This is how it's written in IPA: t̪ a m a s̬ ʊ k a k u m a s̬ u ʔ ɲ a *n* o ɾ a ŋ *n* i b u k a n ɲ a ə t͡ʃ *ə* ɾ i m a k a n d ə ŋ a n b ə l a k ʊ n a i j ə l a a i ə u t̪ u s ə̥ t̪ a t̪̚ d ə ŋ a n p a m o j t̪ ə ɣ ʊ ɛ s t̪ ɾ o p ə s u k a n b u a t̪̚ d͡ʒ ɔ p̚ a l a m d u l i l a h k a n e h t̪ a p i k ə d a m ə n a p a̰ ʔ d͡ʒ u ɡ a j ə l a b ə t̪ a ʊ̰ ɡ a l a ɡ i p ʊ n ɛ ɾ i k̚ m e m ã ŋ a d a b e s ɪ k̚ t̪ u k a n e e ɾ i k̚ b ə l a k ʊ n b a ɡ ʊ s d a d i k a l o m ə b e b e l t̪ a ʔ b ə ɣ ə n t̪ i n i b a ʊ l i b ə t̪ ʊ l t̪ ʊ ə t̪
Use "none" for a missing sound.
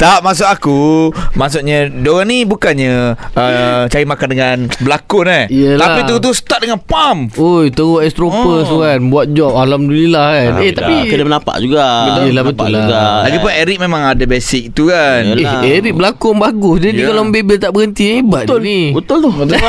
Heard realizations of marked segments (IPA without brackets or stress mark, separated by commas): d, n, a